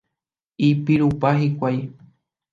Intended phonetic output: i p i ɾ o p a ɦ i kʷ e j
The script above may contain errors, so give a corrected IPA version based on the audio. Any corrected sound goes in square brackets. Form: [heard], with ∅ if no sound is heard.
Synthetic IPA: i p i ɾ [u] p a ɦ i kʷ [a] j